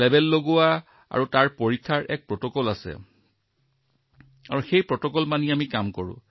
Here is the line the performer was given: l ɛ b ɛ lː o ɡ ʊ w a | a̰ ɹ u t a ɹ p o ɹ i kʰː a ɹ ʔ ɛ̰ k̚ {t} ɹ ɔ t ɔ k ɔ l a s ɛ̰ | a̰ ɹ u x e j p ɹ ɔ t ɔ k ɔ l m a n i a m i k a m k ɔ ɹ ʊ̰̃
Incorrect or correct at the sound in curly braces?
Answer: incorrect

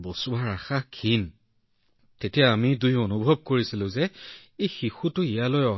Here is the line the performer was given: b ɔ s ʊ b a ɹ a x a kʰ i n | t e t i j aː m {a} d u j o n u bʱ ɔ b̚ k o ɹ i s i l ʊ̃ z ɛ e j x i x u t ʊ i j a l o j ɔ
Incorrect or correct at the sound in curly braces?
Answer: incorrect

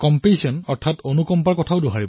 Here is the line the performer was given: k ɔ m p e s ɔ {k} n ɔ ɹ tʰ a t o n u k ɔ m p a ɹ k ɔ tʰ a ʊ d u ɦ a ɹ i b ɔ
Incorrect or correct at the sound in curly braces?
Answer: incorrect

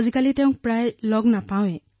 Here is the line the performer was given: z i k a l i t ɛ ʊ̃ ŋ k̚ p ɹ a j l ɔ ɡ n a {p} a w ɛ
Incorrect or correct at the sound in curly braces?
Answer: correct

